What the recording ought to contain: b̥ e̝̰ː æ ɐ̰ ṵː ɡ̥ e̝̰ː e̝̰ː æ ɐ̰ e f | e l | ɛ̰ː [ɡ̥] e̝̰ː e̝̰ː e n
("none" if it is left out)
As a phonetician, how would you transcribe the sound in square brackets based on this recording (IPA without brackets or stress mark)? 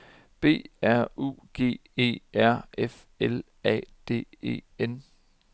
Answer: d̥